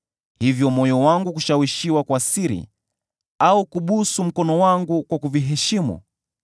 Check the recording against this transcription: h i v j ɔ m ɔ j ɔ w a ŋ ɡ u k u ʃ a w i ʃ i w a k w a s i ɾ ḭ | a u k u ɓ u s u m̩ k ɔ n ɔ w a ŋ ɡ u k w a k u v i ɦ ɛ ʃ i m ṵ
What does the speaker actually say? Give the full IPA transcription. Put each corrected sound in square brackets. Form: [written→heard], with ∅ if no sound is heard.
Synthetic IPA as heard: h i v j ɔ m ɔ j ɔ w a ŋ ɡ u k u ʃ a w i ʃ i w a k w a s i ɾ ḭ | a u k u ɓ u s u m̩ k ɔ n ɔ w a ŋ ɡ u k w a k u v i ɦ ɛ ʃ i m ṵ